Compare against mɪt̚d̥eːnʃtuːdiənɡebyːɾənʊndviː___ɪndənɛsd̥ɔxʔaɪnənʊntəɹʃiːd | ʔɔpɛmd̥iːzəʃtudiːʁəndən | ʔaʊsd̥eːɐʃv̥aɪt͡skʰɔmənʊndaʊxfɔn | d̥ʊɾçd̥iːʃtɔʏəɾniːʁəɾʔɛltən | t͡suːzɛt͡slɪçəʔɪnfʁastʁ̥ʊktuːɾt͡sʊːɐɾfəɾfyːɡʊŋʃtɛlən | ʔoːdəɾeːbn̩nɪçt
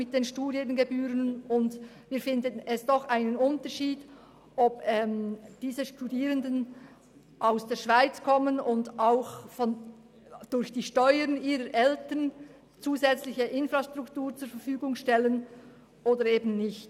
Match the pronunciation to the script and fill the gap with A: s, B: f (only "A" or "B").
B